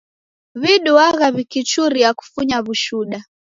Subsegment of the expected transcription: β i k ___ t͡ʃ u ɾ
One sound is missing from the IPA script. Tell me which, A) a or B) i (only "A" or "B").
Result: B